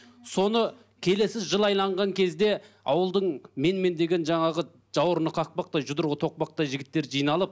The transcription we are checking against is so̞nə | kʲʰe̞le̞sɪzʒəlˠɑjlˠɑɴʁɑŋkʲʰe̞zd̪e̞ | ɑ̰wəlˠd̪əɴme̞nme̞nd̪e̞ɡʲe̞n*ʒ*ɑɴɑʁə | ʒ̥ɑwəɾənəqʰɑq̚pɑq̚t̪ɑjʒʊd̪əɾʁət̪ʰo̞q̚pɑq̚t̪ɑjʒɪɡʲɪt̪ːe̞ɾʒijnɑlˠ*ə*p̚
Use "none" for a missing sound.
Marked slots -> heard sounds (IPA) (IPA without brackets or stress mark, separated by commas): ʒ, ə